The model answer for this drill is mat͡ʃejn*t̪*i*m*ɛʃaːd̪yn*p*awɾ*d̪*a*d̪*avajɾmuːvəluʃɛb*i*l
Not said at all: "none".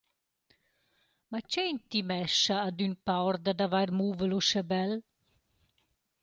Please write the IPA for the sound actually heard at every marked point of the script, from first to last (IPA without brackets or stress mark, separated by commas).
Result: t̪, m, p, d̪, d̪, ɛ